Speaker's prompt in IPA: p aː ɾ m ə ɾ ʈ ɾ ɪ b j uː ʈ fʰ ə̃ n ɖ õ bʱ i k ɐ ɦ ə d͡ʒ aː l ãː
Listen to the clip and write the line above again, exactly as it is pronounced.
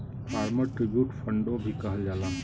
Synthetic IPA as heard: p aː ɾ m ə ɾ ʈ ɾ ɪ b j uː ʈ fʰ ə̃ ɳ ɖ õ bʱ i k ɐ ɦ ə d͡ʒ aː l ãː